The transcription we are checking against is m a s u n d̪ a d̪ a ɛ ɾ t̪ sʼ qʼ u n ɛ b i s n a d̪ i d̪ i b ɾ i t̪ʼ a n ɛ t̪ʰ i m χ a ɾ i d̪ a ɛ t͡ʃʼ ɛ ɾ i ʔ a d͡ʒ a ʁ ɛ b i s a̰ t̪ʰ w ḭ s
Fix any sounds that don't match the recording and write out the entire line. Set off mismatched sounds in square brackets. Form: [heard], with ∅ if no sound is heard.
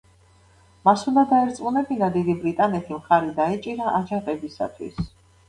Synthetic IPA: m a s u n d̪ a d̪ a ɛ ɾ t̪ sʼ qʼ u n ɛ b i [∅] n a d̪ i d̪ i b ɾ i t̪ʼ a n ɛ t̪ʰ i m χ a ɾ i d̪ a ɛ t͡ʃʼ [i] ɾ [a] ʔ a d͡ʒ a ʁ ɛ b i s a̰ t̪ʰ w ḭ s